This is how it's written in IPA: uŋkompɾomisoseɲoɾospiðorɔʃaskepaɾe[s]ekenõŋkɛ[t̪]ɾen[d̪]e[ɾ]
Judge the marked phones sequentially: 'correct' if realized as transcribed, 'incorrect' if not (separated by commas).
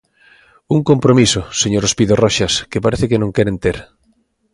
incorrect, incorrect, incorrect, correct